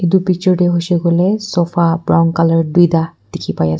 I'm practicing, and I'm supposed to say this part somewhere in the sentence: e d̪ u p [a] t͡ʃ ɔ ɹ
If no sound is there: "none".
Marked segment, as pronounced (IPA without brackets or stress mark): i